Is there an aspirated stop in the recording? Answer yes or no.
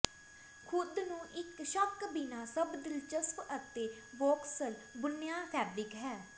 yes